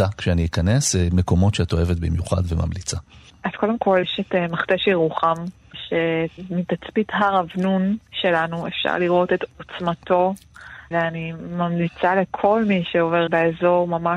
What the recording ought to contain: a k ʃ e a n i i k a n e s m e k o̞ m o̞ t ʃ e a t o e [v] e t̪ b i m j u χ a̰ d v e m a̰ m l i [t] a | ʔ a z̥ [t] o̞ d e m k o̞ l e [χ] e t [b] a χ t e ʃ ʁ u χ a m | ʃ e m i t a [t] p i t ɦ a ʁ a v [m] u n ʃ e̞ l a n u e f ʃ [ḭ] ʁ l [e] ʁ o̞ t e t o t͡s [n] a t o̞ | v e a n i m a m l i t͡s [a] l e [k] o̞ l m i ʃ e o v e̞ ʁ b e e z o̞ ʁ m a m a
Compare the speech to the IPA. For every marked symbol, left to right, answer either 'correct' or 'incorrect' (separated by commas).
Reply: correct, incorrect, incorrect, incorrect, incorrect, incorrect, incorrect, incorrect, incorrect, incorrect, correct, incorrect